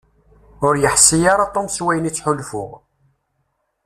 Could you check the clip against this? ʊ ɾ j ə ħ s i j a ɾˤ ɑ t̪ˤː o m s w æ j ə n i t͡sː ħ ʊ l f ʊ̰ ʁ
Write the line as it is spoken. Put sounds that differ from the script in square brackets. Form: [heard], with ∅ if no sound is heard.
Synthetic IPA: ʊ ɾ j ə ħ s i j a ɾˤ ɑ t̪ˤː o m s w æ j ə n i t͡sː ħ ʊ l f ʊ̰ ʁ

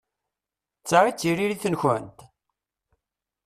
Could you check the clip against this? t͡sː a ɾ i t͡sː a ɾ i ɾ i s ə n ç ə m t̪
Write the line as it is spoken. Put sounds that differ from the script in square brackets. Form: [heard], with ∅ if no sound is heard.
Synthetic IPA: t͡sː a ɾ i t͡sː [i] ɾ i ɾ i [θ] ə n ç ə [n] t̪

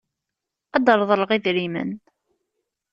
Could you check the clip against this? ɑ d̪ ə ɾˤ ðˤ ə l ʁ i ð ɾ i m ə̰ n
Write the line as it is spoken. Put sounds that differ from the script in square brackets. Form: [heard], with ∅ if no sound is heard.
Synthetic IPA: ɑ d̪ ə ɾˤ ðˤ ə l ʁ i ð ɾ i m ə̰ n

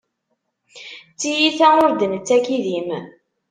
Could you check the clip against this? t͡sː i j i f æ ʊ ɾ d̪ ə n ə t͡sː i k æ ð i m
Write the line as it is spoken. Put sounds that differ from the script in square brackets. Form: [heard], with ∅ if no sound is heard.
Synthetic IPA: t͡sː i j i [θ] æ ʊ ɾ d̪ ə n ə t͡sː [æ] k [i] ð i m

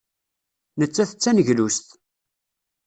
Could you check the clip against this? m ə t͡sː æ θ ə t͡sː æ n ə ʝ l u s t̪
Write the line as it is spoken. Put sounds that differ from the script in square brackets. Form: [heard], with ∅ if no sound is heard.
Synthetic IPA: [n] ə t͡sː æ θ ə t͡sː æ n ə ʝ l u s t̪

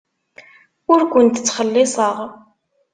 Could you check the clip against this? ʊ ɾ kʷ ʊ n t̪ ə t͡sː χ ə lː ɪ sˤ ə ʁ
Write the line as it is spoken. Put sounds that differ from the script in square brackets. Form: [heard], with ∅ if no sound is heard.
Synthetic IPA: ʊ ɾ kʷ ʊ n t̪ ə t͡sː χ ə lː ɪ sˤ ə ʁ

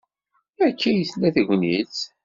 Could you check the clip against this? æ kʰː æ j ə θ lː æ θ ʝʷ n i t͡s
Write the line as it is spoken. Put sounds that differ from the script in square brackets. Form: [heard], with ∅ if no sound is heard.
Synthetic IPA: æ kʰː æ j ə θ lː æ θ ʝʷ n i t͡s

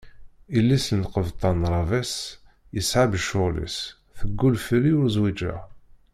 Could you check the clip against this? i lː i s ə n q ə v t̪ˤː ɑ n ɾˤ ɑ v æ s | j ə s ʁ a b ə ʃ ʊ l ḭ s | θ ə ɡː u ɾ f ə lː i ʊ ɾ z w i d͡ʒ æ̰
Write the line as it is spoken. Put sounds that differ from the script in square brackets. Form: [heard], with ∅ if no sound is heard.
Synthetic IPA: i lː i s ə n q ə v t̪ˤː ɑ n ɾˤ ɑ v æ s | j ə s [ʕ] a b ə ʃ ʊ l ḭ s | θ ə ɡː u [l] f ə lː i ʊ ɾ z w i d͡ʒ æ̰

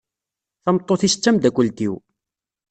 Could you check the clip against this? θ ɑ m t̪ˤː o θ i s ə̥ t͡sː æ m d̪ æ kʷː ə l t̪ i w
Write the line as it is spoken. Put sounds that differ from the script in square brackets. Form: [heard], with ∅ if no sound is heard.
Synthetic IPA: θ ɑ m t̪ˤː o θ i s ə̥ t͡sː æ m d̪ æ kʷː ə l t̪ i w

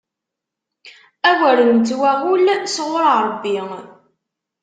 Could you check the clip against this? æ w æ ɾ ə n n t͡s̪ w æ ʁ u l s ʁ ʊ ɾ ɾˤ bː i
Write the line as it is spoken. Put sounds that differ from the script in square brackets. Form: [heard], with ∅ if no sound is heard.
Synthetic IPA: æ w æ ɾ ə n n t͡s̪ w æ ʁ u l s ʁ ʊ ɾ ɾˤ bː i

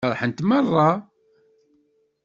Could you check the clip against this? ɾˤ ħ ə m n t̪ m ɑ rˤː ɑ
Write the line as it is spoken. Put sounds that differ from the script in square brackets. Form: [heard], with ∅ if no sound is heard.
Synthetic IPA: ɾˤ ħ ə [∅] n t̪ m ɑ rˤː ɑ

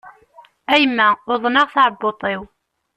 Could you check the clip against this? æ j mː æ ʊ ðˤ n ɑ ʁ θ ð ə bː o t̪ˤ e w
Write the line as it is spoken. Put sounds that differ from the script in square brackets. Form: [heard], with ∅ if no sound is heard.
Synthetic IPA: æ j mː æ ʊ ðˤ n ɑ ʁ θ [ʕ] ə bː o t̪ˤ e w

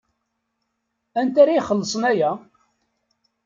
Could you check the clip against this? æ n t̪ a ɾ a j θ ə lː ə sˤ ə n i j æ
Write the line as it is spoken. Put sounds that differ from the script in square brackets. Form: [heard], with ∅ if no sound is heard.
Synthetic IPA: æ n t̪ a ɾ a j [χ] ə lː ə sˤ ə n [æ] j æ

